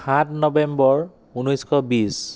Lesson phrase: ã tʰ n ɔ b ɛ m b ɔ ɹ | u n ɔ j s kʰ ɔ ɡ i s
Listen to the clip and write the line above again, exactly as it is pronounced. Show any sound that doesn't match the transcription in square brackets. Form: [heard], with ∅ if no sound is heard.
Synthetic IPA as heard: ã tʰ n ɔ b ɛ m b ɔ ɹ | u n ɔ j s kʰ ɔ [b] i s

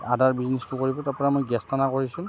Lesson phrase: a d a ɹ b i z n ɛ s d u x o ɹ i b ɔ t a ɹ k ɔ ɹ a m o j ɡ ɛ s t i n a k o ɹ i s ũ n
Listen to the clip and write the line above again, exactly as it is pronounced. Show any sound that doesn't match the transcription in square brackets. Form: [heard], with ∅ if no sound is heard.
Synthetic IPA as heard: a d a ɹ b i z n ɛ s [t] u [k] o ɹ i b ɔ t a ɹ [p] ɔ ɹ a m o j ɡ ɛ s t [a] n a k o ɹ i s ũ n

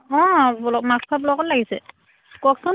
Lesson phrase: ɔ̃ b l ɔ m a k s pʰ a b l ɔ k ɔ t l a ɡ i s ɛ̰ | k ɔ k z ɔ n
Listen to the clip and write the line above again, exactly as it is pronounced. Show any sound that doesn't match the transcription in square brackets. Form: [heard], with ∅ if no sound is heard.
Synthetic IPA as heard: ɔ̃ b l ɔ m a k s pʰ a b l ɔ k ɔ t l a ɡ i s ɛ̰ | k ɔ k [s] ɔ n

